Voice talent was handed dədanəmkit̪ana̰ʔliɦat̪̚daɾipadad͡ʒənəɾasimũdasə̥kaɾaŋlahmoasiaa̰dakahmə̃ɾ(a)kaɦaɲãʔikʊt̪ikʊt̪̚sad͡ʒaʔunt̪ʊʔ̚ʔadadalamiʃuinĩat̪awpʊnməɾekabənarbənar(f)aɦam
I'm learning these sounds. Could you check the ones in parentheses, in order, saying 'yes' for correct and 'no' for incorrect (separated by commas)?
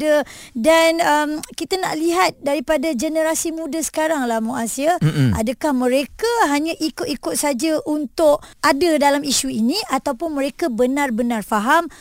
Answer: no, yes